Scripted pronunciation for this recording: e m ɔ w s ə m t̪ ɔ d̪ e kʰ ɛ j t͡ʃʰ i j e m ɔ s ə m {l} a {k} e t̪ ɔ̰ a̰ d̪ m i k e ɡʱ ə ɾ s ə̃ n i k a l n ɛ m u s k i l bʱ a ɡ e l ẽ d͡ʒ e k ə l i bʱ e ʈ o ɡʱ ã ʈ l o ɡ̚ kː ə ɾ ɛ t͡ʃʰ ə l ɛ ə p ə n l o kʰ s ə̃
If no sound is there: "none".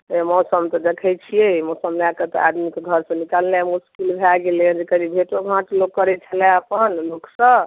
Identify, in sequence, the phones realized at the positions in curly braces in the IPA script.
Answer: l, k

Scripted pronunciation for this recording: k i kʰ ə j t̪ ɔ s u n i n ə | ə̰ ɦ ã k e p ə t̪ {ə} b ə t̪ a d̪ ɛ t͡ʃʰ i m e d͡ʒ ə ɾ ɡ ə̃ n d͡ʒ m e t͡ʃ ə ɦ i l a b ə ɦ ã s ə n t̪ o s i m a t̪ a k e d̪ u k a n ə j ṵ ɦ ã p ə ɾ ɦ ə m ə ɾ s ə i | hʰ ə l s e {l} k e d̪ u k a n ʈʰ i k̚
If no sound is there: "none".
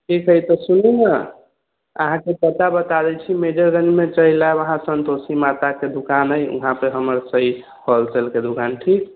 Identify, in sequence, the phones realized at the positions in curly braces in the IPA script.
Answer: a, l

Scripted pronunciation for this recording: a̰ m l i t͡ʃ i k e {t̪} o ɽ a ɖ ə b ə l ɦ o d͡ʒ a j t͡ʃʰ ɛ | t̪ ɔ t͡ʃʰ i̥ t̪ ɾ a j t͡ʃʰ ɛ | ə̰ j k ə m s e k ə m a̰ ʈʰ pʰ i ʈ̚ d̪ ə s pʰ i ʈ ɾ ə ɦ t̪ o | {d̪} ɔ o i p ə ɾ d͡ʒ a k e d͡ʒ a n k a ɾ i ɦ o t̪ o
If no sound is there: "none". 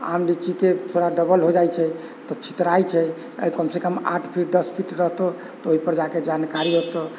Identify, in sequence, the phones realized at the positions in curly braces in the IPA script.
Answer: t̪ʰ, t̪

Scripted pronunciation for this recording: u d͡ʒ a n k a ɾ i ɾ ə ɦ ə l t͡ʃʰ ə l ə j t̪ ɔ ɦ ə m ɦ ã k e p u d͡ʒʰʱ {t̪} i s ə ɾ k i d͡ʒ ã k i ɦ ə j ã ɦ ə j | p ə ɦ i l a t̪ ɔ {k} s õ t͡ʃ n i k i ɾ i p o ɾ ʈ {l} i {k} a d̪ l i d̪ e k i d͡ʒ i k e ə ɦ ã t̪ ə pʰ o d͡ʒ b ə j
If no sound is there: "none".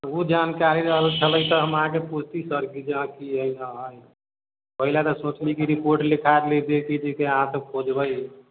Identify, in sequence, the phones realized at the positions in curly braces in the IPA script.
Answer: t̪, none, l, kʰ

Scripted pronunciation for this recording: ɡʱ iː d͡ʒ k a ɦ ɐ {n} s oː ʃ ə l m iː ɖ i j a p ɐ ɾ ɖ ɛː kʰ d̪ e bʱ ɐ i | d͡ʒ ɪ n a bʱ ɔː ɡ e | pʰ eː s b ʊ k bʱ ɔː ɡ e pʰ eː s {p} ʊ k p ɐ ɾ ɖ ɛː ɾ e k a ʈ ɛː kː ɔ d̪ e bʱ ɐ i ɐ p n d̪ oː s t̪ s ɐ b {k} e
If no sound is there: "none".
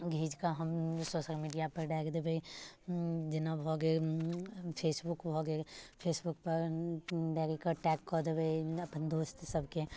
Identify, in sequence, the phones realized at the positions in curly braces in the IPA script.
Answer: m, b, k

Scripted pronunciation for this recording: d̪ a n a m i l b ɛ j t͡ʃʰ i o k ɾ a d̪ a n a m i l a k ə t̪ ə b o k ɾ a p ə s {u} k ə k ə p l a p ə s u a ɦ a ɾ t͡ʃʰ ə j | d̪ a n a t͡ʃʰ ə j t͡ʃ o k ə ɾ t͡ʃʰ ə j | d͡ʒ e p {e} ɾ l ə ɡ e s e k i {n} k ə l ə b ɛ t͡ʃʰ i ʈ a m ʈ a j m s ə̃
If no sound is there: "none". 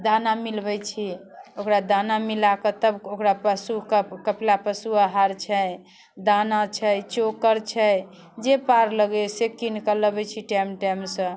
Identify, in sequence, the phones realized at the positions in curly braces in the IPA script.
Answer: u, a, n

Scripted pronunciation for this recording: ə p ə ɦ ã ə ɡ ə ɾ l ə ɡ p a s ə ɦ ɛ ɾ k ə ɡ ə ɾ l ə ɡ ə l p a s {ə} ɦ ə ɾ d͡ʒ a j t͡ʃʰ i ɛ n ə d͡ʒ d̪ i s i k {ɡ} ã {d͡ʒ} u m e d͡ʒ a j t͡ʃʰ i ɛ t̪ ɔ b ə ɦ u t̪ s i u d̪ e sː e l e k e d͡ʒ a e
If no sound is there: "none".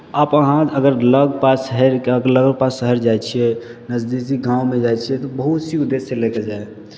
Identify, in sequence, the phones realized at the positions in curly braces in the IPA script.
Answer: ə, ɡ, none

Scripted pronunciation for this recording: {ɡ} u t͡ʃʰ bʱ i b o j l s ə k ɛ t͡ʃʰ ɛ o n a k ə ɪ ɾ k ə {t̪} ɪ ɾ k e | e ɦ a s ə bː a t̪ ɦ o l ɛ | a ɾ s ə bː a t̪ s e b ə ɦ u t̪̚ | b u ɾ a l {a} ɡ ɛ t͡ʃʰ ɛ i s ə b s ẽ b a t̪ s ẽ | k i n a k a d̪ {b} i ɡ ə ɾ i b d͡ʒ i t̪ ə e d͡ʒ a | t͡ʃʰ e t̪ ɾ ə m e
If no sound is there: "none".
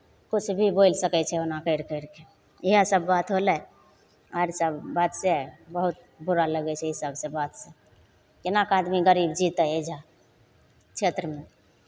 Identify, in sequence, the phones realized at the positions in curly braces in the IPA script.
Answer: k, none, ə, m

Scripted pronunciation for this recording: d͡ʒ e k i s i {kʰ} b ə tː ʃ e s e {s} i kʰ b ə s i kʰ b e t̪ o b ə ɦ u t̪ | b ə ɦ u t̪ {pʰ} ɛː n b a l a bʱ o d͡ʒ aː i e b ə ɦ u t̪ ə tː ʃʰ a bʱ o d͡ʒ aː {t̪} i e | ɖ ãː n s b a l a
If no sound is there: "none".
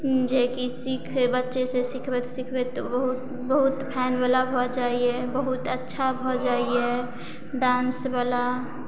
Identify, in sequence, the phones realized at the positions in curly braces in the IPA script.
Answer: kʰ, s, pʰ, none

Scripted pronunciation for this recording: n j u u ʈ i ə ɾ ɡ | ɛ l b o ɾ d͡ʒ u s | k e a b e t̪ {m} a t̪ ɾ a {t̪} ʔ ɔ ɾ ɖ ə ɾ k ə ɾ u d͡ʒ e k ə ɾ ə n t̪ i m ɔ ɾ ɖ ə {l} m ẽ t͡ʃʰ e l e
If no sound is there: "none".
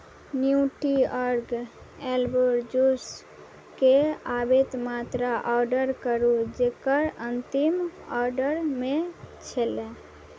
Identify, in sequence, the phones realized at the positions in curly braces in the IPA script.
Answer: m, none, ɾ

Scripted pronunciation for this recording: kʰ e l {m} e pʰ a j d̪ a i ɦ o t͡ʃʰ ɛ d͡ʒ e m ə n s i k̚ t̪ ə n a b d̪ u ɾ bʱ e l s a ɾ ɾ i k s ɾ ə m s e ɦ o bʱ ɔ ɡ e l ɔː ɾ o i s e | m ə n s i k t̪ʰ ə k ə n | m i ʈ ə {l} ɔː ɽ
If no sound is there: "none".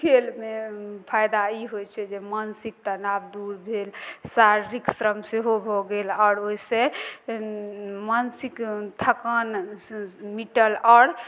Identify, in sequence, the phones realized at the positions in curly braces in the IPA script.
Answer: m, l

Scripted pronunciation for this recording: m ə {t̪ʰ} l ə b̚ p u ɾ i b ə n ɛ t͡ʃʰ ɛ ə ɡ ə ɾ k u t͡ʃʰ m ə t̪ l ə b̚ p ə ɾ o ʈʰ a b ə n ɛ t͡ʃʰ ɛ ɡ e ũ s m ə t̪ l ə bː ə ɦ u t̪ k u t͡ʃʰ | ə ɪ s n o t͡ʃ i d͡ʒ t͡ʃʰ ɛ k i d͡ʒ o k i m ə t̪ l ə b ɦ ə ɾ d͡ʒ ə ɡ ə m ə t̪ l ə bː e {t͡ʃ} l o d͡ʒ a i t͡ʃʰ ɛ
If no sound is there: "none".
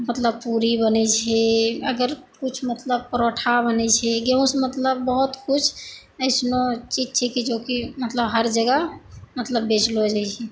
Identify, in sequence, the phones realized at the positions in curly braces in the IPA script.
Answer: t̪, t͡ʃ

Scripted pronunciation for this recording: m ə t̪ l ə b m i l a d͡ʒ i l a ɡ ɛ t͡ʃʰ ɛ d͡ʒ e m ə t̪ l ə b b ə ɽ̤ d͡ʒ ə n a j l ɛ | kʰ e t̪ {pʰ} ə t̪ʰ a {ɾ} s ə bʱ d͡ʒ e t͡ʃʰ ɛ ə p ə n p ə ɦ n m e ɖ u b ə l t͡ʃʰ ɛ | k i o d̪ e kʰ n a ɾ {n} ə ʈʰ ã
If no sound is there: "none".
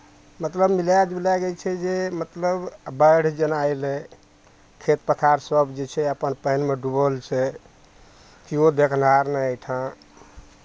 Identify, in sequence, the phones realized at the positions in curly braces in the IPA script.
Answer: p, ɾ, n

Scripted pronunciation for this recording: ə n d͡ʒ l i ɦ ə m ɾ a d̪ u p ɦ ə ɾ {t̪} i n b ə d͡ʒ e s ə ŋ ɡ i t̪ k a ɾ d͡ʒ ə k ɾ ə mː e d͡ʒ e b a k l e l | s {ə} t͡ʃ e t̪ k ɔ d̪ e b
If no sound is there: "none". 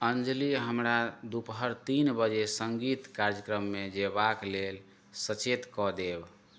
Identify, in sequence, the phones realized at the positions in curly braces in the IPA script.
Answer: t̪, ə

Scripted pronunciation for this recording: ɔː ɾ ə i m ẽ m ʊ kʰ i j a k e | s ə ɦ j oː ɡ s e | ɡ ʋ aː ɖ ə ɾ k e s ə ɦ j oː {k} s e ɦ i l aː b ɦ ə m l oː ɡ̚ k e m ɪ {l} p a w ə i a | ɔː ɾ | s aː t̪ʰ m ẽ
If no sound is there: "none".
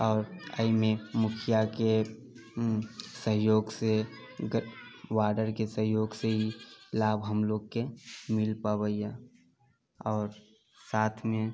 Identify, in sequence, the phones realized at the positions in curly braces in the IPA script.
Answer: ɡ, l

